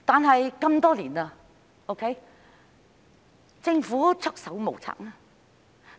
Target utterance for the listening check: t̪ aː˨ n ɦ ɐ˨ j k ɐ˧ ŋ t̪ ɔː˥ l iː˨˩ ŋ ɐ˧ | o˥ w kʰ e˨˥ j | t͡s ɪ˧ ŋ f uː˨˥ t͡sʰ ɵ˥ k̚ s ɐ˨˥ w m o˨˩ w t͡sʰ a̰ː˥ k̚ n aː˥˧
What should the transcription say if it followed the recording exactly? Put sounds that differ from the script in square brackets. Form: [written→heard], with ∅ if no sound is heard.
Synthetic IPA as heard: t̪ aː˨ n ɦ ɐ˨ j k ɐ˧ [ŋ→m] t̪ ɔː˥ l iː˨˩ [ŋ→n] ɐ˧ | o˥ w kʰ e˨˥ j | t͡s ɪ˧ ŋ f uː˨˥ t͡sʰ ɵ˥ k̚ s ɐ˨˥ w m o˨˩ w t͡sʰ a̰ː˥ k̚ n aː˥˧